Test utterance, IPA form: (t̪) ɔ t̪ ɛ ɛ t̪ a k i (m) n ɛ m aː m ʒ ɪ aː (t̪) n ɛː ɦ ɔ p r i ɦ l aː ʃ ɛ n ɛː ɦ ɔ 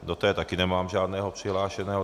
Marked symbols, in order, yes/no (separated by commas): no, no, no